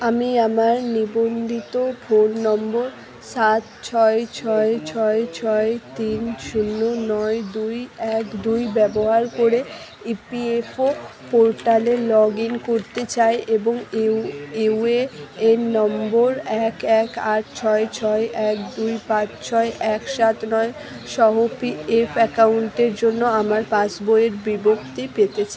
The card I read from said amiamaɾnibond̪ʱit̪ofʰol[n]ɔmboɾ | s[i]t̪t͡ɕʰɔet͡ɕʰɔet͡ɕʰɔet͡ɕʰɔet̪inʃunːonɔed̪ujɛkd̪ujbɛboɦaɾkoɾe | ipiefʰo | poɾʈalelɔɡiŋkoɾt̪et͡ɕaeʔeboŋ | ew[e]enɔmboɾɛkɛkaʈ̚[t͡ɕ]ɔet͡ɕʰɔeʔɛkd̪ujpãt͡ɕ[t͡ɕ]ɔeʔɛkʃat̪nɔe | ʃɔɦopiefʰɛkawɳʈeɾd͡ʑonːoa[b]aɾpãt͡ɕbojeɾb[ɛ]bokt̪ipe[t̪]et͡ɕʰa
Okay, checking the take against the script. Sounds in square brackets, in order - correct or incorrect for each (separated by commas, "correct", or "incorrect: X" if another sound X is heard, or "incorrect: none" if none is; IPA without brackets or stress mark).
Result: correct, incorrect: a, correct, incorrect: t͡ɕʰ, incorrect: t͡ɕʰ, incorrect: m, incorrect: i, correct